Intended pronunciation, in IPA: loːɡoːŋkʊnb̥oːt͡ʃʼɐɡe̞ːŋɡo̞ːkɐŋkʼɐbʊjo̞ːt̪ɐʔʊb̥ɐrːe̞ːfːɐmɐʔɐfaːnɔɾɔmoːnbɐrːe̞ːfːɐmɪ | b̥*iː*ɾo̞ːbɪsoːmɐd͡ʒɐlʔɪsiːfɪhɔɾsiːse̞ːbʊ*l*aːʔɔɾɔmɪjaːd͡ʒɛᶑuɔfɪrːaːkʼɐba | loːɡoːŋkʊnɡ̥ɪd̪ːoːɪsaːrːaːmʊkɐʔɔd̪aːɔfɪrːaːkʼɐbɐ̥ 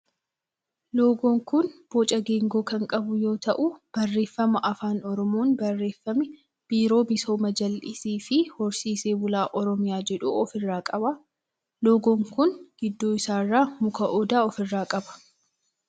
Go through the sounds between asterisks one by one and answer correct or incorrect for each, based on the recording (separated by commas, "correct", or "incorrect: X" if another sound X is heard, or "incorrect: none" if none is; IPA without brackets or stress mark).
correct, correct